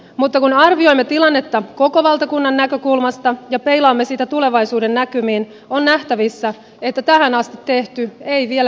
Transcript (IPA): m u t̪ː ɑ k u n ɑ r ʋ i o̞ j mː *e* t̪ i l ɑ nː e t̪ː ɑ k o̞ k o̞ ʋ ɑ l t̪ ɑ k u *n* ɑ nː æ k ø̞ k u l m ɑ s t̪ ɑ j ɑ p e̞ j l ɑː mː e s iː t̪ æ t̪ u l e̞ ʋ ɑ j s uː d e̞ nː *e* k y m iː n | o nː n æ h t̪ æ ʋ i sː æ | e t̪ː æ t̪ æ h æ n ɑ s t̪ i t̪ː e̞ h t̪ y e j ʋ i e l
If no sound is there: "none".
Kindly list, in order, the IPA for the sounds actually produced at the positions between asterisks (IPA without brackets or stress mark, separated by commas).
e, nː, æ